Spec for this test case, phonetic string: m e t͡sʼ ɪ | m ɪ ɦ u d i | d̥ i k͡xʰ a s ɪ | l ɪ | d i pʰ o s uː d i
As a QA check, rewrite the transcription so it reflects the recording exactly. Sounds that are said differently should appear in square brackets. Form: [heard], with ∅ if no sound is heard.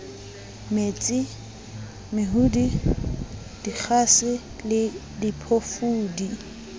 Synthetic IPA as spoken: m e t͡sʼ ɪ | m ɪ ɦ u d i | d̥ i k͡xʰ a s ɪ | l ɪ | d i pʰ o [f] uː d i

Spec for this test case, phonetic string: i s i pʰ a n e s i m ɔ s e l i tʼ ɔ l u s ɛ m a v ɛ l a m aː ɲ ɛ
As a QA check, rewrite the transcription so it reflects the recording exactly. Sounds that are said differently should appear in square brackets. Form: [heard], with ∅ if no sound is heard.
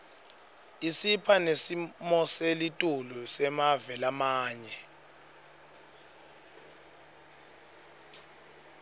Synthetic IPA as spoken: i s i pʰ a n e s i m ɔ s e l i tʼ [u] l u s ɛ m a v ɛ l a m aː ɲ ɛ

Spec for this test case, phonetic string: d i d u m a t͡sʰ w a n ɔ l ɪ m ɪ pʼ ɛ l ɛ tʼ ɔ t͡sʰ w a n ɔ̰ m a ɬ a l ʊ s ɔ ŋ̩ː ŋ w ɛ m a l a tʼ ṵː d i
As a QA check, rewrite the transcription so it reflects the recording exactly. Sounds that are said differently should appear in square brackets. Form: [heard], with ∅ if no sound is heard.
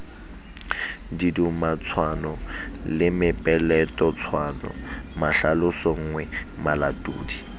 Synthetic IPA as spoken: d i d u m a t͡sʰ w a n ɔ l ɪ m ɪ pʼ ɛ l ɛ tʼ ɔ t͡sʰ w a n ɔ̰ m a ɬ a l ʊ s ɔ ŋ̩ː ŋ w ɛ m a l a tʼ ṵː d i

